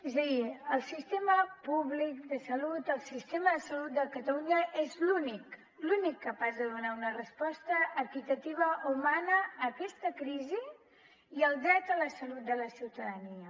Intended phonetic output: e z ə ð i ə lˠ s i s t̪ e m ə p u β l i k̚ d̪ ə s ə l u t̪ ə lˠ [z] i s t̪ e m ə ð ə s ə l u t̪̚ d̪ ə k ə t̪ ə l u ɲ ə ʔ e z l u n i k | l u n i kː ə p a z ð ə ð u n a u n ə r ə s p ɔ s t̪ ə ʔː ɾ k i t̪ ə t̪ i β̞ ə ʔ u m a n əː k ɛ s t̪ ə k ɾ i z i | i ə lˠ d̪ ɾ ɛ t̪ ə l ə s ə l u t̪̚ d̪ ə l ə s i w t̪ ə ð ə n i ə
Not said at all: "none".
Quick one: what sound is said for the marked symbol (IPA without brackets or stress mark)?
s